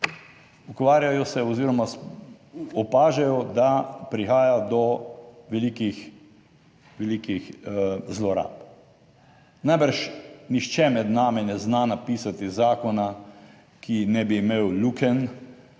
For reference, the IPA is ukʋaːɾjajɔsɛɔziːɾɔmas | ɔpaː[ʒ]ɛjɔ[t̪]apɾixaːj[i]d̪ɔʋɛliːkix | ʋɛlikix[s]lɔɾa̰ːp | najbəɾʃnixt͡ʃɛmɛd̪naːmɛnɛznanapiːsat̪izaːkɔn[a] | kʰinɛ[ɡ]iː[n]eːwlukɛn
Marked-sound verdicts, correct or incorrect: correct, incorrect, incorrect, incorrect, correct, incorrect, incorrect

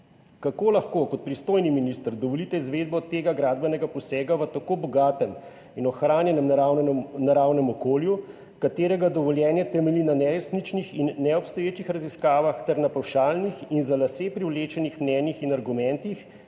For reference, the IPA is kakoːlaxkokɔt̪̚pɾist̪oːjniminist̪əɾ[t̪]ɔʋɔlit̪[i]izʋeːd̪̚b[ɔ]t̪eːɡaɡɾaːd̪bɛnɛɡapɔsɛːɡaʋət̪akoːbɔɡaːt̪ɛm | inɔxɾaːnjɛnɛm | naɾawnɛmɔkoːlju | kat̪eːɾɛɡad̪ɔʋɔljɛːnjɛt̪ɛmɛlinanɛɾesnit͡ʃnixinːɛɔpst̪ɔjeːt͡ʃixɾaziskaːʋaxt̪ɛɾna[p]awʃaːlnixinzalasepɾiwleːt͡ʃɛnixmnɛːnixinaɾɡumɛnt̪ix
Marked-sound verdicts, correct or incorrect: incorrect, incorrect, correct, correct

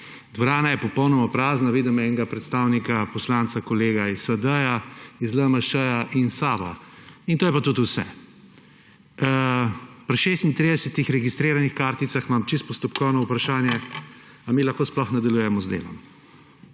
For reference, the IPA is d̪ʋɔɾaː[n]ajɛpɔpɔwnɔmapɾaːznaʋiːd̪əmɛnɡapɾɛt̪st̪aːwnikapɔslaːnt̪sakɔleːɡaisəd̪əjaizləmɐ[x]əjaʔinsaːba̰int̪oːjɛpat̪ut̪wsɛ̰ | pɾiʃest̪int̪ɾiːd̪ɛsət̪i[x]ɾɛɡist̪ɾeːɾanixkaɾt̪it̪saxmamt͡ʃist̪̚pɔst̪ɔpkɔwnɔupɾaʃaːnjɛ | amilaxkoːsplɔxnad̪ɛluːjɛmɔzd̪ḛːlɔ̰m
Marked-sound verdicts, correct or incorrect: correct, incorrect, correct

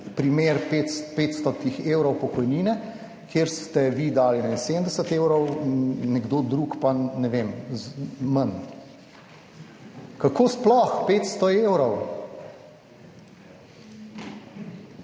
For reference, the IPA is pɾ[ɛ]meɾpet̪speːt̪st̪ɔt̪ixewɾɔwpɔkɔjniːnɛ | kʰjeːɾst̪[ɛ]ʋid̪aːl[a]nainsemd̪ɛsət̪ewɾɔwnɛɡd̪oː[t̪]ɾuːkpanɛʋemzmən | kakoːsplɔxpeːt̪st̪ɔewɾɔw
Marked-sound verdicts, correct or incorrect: incorrect, correct, incorrect, incorrect

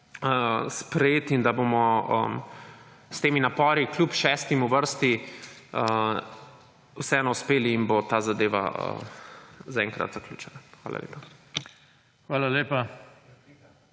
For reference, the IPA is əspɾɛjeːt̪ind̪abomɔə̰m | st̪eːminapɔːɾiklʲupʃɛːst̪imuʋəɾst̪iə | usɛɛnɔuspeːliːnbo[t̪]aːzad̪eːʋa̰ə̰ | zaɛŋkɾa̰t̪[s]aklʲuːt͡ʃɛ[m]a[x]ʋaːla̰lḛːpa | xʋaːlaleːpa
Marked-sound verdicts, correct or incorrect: correct, incorrect, incorrect, correct

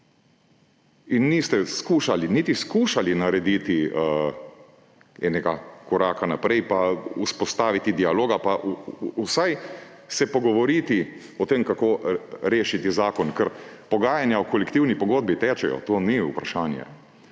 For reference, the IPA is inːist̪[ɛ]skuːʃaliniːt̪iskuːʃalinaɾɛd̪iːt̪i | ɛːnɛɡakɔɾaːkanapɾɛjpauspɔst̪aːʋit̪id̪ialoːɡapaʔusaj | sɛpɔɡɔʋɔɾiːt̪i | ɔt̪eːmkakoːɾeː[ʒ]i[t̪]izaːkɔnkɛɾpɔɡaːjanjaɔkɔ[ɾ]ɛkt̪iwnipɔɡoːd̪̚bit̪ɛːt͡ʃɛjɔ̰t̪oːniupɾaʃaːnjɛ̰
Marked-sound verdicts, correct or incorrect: correct, incorrect, correct, incorrect

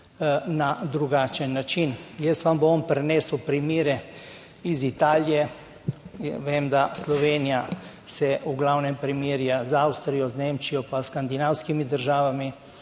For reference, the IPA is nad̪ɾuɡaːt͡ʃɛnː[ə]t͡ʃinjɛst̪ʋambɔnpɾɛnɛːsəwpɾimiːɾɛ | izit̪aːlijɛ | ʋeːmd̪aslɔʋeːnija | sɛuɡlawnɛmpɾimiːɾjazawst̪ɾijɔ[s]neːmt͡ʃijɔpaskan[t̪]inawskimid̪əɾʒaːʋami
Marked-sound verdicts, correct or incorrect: incorrect, incorrect, incorrect

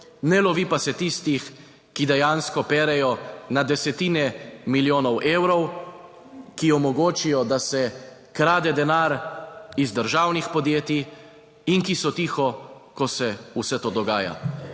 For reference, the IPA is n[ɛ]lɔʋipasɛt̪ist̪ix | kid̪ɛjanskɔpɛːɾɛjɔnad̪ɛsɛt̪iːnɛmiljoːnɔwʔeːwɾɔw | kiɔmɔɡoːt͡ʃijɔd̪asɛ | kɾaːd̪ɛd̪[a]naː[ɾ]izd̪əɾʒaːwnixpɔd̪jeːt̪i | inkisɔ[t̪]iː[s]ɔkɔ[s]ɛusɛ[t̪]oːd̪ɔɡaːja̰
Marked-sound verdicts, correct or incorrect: correct, incorrect, correct, correct, incorrect, correct, correct

